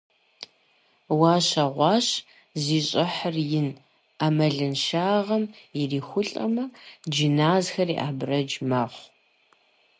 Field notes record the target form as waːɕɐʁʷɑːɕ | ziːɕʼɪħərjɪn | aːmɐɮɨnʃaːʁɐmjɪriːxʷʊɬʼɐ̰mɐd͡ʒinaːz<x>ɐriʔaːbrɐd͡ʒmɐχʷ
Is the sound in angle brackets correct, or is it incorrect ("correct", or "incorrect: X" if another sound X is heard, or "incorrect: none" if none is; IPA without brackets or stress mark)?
correct